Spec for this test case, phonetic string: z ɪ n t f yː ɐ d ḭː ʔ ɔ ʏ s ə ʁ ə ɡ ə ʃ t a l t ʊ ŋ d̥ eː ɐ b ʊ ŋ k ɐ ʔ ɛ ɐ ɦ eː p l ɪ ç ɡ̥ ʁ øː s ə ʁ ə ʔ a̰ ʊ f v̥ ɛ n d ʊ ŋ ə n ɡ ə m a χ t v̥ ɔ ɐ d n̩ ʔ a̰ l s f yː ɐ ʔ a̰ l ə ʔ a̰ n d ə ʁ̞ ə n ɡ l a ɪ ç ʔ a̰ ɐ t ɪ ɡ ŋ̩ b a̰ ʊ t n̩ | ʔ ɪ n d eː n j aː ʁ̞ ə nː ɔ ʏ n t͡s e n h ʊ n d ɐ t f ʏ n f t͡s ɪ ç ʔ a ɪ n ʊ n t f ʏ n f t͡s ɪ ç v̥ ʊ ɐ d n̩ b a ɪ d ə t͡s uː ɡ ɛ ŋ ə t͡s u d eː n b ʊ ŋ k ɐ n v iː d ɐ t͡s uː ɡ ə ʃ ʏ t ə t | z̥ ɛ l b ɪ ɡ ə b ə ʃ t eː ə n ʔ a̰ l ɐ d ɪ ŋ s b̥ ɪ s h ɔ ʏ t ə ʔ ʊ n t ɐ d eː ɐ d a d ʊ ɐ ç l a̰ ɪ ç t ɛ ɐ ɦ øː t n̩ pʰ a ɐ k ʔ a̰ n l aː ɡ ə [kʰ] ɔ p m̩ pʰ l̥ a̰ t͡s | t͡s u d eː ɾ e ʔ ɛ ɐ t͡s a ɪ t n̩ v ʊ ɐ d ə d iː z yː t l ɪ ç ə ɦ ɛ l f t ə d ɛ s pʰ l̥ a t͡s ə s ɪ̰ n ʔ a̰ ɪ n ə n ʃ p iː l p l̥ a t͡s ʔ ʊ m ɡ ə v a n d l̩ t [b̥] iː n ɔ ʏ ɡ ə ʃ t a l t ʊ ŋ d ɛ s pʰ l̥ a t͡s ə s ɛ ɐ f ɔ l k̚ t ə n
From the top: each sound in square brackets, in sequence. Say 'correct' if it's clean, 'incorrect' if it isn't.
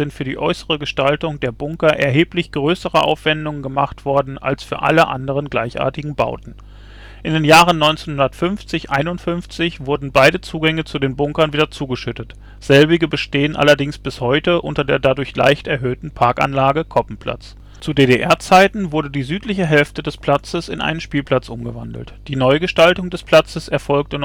correct, incorrect: d̥

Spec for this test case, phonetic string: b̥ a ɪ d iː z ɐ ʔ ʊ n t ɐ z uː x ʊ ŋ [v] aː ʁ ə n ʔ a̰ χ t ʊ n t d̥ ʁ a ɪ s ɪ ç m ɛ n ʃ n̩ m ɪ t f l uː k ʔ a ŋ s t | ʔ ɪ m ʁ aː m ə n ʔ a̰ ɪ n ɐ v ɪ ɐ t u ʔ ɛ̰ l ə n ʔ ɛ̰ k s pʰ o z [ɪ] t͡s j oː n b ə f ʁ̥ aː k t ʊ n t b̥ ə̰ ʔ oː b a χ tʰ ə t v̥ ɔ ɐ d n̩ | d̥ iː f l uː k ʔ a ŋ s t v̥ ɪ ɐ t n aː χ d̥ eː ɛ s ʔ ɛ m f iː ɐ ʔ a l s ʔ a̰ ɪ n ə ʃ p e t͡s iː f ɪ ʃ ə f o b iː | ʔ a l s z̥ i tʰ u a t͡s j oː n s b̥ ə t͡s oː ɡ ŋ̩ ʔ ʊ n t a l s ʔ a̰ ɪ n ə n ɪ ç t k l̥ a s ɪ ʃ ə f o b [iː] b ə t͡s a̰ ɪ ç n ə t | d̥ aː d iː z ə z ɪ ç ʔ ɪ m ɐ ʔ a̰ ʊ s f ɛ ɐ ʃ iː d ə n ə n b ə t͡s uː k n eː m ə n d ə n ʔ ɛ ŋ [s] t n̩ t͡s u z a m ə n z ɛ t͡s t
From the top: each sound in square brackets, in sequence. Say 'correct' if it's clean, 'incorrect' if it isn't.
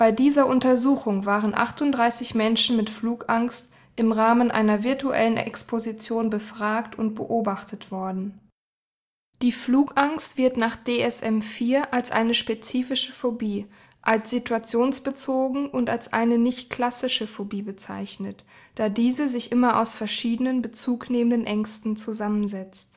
correct, incorrect: i, correct, correct

